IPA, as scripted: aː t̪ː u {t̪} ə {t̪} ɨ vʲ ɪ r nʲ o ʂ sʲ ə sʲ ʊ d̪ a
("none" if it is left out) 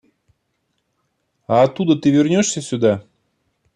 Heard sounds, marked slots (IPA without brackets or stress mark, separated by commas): d̪, t̪